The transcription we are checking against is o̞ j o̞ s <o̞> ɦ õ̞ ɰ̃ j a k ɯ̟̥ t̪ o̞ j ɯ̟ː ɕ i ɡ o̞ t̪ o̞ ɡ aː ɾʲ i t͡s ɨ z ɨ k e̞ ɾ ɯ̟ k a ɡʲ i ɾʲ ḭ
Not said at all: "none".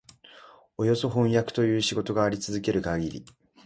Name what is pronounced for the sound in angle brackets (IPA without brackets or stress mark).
o̞